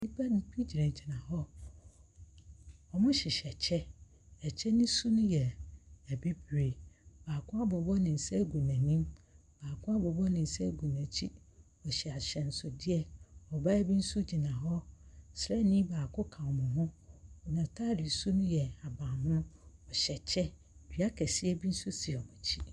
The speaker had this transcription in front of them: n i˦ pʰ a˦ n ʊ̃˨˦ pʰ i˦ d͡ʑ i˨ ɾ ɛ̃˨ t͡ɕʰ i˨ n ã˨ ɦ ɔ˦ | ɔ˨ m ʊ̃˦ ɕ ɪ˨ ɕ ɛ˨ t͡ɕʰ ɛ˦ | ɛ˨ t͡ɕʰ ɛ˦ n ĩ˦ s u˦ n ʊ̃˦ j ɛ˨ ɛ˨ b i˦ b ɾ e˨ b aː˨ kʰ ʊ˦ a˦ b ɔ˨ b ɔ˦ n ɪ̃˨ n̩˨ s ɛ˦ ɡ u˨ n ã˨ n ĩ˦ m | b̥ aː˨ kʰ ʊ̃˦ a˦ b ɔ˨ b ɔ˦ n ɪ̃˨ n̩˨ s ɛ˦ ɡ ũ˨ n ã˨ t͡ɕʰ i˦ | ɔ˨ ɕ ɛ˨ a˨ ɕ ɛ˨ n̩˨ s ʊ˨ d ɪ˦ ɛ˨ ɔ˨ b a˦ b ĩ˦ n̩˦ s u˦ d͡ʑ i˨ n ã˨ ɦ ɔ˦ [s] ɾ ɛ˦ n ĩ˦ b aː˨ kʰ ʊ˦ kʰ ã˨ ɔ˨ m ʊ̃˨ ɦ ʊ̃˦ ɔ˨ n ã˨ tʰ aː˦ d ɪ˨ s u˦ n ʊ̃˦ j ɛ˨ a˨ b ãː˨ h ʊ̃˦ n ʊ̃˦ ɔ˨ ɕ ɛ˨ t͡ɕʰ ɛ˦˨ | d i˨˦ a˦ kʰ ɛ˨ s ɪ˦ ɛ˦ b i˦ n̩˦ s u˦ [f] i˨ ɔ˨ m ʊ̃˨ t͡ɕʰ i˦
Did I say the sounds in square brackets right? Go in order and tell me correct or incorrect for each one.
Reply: correct, incorrect: s

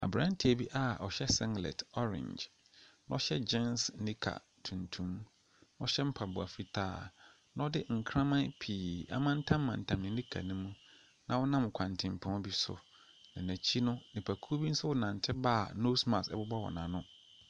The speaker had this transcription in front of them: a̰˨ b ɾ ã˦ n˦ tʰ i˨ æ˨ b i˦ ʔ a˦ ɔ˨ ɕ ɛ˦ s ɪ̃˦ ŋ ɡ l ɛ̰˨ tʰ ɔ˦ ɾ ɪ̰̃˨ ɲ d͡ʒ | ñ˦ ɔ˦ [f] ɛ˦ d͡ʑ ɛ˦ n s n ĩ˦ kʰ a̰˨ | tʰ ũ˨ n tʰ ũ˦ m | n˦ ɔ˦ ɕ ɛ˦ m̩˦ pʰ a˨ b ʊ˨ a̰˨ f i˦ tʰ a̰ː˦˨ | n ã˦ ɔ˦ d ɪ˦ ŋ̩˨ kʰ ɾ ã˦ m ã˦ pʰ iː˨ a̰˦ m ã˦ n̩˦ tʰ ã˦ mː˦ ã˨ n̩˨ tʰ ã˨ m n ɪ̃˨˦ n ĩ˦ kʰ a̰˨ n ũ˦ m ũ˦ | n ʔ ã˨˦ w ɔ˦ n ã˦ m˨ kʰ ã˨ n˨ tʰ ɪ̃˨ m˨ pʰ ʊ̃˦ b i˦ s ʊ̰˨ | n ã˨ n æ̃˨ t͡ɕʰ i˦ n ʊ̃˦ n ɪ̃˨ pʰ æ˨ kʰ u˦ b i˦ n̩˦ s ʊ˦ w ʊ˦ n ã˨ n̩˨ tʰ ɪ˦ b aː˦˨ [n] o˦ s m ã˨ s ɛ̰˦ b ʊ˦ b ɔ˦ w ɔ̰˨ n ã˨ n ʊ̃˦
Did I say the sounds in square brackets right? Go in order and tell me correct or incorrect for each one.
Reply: incorrect: ɕ, correct

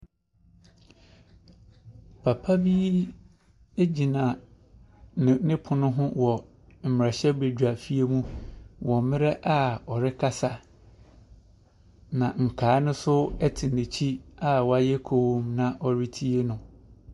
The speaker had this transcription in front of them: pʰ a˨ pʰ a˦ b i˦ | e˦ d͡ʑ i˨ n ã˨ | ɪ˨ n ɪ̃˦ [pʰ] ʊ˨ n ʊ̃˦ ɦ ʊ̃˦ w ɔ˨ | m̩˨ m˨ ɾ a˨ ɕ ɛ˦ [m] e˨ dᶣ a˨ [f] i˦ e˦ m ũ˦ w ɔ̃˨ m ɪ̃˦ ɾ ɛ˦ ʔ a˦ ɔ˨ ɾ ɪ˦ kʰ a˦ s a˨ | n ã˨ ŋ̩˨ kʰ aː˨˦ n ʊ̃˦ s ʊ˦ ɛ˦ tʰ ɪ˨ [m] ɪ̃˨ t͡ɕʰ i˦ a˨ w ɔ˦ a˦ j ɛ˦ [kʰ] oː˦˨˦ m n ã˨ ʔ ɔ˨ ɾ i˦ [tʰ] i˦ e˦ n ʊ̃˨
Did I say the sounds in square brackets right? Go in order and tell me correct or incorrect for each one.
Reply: correct, incorrect: b, correct, incorrect: n, correct, correct

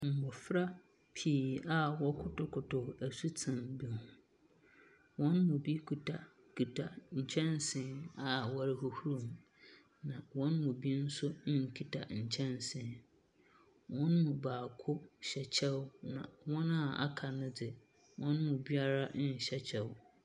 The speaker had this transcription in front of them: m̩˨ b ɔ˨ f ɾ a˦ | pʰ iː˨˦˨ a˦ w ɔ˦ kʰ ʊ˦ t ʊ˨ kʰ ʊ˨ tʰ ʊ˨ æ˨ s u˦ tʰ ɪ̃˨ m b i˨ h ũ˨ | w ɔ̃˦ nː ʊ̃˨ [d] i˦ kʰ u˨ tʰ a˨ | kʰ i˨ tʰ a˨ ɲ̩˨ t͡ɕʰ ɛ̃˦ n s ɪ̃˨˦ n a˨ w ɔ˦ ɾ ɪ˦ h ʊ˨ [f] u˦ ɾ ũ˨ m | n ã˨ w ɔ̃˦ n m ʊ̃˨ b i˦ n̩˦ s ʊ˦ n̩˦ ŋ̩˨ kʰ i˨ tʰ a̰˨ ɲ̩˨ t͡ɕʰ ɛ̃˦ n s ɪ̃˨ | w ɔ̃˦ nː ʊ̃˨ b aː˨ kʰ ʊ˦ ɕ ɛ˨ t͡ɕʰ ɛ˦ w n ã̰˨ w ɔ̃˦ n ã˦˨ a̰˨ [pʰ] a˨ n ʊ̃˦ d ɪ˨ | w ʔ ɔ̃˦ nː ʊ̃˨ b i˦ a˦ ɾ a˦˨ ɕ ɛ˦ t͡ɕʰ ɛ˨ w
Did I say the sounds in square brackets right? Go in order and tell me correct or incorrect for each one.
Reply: incorrect: b, incorrect: h, incorrect: kʰ

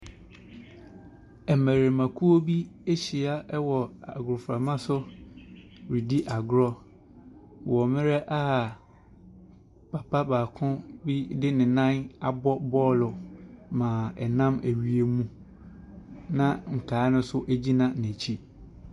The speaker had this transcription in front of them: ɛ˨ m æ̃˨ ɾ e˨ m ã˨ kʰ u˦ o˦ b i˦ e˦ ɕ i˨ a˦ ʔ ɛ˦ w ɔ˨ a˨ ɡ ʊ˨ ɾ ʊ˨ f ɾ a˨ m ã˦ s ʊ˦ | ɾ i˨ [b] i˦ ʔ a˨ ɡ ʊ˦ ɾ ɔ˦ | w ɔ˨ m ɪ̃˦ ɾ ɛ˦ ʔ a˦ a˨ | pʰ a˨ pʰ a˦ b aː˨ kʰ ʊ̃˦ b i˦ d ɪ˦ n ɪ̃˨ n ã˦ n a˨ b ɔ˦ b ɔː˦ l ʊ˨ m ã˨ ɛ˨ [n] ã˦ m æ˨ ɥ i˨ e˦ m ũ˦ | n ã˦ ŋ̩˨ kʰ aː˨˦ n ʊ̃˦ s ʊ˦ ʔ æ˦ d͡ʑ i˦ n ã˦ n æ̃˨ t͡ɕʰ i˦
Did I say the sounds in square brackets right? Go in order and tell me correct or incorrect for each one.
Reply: incorrect: d, correct

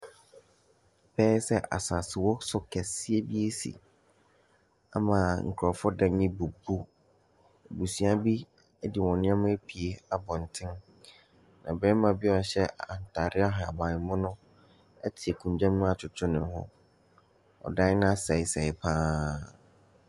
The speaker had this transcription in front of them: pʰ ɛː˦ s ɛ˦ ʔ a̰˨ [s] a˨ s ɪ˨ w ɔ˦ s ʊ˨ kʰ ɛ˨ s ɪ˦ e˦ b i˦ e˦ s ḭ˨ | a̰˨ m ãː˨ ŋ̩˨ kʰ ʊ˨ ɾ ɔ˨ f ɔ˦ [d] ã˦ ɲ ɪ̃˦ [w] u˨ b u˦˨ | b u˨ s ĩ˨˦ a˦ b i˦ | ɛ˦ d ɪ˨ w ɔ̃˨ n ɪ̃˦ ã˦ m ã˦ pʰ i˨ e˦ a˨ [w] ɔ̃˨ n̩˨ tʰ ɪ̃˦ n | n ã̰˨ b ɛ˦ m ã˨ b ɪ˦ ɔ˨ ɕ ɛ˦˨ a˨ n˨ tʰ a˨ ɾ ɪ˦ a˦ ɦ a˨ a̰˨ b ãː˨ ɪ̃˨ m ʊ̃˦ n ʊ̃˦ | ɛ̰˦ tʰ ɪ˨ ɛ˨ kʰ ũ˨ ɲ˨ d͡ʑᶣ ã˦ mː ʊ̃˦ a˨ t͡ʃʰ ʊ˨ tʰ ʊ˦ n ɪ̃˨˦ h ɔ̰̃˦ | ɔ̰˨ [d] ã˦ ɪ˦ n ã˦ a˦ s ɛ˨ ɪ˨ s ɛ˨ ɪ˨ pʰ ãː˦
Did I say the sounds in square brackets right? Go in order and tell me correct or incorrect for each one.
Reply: correct, correct, incorrect: b, incorrect: b, correct

